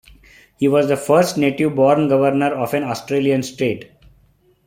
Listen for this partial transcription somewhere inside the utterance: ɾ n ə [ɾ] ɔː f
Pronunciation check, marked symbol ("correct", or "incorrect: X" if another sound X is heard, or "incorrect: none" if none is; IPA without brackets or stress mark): correct